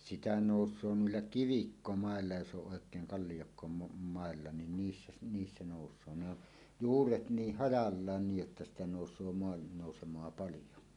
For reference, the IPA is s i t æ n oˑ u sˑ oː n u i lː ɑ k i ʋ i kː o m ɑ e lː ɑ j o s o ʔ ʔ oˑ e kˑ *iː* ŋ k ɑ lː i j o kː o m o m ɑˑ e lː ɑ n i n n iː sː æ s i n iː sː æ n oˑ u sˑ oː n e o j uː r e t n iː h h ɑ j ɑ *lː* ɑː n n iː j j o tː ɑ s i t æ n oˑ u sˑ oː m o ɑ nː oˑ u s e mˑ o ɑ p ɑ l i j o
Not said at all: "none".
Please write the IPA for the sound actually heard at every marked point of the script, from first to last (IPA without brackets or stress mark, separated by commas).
eː, lː